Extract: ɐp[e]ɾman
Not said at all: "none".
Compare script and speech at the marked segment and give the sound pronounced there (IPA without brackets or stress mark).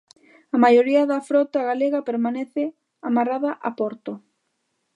e